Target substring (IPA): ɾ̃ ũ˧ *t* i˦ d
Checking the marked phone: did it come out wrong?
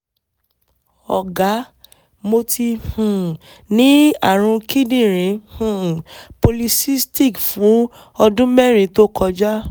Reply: yes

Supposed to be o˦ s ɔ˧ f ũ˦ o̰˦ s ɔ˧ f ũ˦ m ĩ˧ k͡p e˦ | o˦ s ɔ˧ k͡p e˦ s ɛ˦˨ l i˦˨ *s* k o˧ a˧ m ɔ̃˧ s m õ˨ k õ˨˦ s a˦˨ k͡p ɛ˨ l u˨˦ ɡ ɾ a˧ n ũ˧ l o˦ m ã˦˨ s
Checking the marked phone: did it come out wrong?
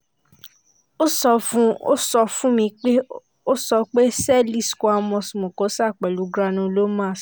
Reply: no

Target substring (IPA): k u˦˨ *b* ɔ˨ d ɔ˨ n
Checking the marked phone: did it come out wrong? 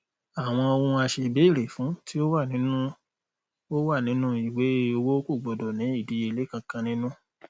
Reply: yes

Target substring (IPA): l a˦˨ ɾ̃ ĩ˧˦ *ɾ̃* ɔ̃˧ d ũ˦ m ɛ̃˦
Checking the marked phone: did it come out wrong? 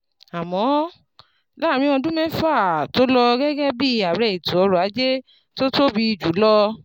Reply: yes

